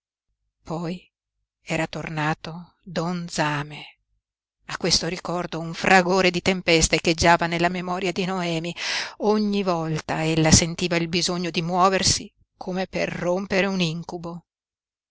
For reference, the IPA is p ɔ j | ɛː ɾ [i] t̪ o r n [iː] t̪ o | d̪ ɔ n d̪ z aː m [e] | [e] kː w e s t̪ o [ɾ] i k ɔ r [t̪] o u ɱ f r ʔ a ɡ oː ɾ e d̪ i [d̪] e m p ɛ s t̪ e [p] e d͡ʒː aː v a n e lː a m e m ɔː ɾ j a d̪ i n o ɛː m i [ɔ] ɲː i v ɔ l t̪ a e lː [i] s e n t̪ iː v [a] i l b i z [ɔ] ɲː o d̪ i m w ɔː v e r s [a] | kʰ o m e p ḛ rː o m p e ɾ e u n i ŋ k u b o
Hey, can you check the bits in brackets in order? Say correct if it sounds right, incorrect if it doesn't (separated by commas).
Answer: incorrect, incorrect, correct, incorrect, correct, incorrect, incorrect, incorrect, incorrect, incorrect, correct, incorrect, incorrect